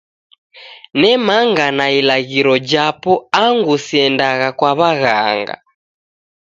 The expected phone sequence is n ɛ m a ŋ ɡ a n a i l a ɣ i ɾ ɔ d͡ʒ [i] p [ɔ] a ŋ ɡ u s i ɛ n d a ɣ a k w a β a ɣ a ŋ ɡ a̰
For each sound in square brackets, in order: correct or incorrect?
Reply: incorrect: a, correct

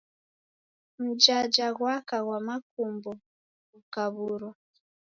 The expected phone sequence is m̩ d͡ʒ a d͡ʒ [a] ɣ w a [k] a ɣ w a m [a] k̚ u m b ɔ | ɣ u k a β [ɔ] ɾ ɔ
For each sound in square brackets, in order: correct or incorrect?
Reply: correct, correct, correct, incorrect: u

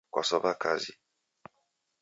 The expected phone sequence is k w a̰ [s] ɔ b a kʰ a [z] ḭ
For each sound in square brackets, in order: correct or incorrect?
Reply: correct, correct

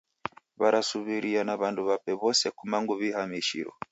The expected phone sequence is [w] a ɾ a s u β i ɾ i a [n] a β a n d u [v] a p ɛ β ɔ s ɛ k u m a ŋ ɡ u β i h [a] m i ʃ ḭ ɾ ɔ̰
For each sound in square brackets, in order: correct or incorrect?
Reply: incorrect: β, correct, incorrect: β, correct

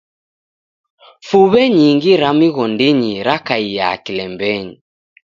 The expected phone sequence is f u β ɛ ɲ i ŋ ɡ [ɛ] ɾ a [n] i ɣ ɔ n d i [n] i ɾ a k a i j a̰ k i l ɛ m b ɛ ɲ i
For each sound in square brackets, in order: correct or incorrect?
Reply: incorrect: i, incorrect: m, incorrect: ɲ

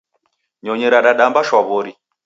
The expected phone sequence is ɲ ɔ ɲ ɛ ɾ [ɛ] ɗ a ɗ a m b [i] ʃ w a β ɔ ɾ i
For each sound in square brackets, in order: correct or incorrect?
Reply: incorrect: a, incorrect: a

